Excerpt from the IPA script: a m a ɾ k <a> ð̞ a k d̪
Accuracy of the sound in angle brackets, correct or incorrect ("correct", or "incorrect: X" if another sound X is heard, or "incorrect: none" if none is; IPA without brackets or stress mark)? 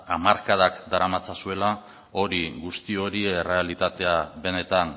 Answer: correct